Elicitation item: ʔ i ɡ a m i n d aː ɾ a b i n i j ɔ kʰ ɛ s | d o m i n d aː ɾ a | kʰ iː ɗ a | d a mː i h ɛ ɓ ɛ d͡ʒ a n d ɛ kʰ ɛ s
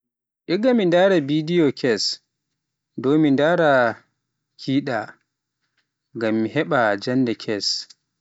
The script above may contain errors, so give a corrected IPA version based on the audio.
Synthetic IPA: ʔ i ɡ a m i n d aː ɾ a b i d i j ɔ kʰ ɛ s | d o m i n d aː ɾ a | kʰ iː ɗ a | ɡ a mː i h ɛ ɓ a d͡ʒ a n d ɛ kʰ ɛ s